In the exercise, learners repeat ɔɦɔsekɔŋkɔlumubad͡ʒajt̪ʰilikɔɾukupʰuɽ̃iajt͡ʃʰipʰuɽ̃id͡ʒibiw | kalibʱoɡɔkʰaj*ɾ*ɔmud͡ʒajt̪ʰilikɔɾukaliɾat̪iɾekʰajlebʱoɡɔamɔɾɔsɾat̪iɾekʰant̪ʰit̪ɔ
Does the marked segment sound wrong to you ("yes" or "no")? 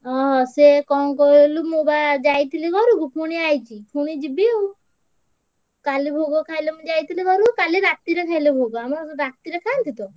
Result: yes